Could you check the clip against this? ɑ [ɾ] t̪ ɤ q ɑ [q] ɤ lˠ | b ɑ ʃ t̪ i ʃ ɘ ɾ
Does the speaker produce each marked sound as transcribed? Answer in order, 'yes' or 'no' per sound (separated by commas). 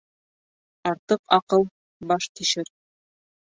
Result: yes, yes